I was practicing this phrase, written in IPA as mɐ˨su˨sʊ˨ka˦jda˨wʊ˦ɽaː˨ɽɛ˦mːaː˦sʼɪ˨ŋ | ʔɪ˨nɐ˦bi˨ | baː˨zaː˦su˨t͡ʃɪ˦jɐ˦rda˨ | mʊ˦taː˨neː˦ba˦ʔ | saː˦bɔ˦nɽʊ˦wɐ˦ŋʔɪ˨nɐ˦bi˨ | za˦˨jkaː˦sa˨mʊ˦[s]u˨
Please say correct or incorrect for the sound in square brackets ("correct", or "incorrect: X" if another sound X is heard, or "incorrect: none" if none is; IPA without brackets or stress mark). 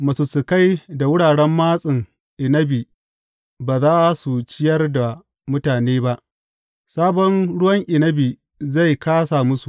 correct